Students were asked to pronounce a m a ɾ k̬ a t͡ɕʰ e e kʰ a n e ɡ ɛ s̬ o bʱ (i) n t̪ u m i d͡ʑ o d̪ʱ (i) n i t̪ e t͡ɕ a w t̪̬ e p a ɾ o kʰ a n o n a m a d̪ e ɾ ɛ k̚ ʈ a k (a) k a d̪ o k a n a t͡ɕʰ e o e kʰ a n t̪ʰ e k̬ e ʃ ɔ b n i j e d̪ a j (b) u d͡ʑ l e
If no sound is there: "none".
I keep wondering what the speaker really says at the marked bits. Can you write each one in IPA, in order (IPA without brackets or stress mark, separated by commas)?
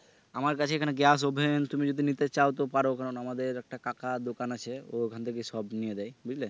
e, i, a, b